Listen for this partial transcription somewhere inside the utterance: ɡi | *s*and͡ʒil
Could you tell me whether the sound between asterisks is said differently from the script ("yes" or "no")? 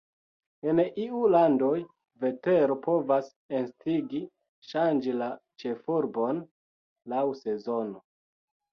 yes